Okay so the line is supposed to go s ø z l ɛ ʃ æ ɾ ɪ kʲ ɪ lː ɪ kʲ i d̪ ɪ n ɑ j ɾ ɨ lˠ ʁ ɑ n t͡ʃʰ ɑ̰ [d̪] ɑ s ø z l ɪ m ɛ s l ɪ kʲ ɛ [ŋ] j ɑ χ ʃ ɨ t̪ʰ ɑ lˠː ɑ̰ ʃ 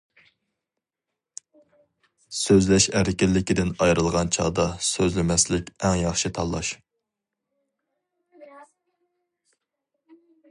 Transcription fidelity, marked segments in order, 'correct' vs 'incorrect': correct, correct

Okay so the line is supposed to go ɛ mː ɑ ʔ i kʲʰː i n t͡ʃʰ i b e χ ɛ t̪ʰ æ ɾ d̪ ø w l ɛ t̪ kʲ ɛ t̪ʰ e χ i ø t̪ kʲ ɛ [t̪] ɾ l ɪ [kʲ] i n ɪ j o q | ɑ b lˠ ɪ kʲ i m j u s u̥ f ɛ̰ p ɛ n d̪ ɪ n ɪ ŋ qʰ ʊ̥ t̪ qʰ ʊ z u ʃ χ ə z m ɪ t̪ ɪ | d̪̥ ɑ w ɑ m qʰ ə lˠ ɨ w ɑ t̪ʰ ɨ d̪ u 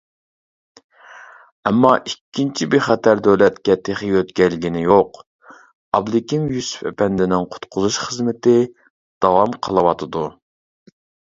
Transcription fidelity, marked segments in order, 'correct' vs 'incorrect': incorrect, incorrect

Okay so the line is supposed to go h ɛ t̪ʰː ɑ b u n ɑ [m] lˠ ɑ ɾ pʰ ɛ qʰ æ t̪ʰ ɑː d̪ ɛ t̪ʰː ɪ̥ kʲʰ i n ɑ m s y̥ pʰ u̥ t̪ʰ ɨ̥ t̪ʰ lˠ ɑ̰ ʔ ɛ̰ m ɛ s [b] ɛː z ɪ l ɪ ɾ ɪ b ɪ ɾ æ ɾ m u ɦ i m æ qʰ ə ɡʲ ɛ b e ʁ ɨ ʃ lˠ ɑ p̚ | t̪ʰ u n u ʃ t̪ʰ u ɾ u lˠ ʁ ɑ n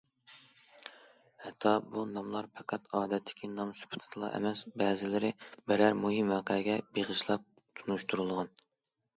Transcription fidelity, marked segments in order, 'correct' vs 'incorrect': correct, correct

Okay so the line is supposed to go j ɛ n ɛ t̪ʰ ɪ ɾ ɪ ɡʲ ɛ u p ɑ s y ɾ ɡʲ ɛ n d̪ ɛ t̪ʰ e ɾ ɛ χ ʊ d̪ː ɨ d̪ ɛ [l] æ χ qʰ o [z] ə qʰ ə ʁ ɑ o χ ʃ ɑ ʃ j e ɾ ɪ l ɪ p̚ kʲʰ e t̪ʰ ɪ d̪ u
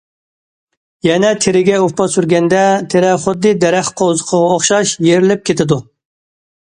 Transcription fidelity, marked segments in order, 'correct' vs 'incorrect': incorrect, correct

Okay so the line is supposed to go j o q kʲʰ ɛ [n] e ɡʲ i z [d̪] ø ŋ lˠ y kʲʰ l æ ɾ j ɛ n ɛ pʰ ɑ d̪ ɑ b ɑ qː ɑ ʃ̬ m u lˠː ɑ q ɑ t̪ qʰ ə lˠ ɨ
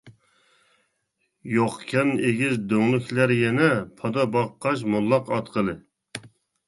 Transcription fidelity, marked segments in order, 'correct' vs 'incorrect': correct, correct

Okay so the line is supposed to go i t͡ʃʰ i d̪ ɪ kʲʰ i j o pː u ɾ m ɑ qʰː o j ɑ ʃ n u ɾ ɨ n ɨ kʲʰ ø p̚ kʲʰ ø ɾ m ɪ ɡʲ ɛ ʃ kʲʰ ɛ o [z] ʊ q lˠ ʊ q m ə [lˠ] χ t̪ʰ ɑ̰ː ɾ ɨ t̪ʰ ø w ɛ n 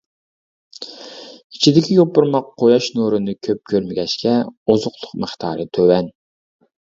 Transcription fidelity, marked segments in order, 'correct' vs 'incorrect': correct, incorrect

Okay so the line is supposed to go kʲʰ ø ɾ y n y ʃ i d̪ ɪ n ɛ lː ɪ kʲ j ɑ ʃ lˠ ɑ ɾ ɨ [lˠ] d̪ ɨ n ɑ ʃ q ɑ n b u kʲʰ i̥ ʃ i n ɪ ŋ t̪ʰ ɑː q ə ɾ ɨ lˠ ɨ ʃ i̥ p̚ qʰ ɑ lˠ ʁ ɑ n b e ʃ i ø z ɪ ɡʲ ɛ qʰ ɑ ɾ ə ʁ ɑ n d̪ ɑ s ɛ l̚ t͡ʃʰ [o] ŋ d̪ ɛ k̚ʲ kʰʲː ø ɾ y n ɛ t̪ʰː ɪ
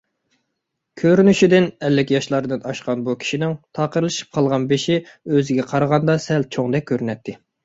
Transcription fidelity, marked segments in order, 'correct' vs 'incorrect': incorrect, correct

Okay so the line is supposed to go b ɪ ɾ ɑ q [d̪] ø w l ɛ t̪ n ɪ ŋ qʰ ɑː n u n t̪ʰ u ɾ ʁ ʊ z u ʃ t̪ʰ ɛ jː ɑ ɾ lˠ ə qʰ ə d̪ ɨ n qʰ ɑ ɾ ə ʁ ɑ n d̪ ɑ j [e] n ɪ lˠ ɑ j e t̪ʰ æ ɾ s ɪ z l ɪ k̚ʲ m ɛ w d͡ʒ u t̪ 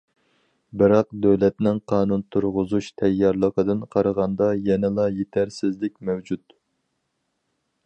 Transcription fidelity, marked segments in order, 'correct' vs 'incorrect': correct, incorrect

